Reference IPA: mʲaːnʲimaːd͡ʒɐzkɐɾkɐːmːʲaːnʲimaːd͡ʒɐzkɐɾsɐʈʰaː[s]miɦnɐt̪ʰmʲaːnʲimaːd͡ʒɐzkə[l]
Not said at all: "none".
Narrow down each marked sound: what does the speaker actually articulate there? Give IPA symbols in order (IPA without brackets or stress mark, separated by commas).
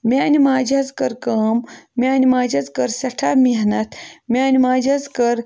none, ɾ